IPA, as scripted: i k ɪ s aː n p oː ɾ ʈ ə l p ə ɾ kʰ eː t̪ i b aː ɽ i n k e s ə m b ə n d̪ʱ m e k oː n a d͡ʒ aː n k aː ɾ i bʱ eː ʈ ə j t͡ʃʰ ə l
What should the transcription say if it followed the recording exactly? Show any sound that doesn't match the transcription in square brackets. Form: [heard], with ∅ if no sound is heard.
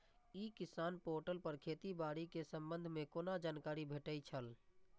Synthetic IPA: i k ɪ s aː n p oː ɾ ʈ ə l p ə ɾ kʰ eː t̪ i b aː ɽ i [∅] k e s ə m b ə n d̪ʱ m e k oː n a d͡ʒ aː n k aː ɾ i bʱ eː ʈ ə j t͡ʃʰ ə l